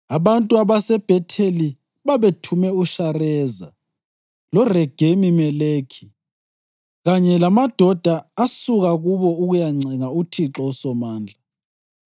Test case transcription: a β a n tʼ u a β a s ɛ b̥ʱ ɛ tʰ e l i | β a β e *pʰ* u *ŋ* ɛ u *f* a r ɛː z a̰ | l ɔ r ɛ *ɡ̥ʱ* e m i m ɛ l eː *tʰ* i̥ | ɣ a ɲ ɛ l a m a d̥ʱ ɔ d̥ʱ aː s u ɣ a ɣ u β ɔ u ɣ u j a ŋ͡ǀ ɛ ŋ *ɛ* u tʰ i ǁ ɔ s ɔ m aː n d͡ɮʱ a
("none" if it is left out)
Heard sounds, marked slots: tʰ, m, ʃ, ɡ̥ʱ, kʰ, a

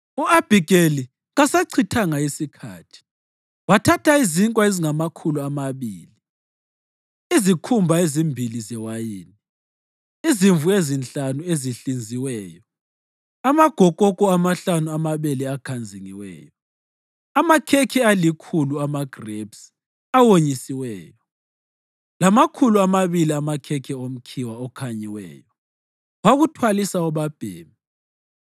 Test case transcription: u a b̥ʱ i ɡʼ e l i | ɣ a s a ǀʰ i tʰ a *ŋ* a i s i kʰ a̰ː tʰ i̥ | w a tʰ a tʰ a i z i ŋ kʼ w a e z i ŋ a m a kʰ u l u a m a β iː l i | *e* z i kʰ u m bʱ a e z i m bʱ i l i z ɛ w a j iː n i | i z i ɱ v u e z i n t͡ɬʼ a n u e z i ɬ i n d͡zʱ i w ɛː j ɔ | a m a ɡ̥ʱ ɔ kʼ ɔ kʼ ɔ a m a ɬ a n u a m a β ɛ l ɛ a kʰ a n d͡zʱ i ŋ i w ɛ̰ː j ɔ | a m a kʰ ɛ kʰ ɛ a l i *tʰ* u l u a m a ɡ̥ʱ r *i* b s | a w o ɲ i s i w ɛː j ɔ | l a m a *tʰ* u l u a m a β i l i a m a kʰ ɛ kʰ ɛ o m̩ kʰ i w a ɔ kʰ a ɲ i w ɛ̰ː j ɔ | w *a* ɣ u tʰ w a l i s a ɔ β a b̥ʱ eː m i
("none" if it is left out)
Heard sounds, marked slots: ŋ, i, kʰ, e, kʰ, a

